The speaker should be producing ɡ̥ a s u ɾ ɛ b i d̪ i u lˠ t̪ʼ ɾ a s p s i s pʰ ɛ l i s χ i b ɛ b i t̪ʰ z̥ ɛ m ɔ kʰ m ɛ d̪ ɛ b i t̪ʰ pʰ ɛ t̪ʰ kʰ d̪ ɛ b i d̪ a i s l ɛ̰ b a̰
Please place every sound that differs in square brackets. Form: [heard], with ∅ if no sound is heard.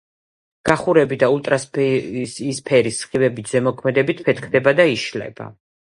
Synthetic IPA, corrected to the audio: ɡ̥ a [χ] u ɾ ɛ b i d̪ [a] u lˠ t̪ʼ ɾ a s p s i s pʰ ɛ [ɾ] i s χ i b ɛ b i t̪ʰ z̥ ɛ m ɔ kʰ m ɛ d̪ ɛ b i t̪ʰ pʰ ɛ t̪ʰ kʰ d̪ ɛ b [a] d̪ a i [ʃ] l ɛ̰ b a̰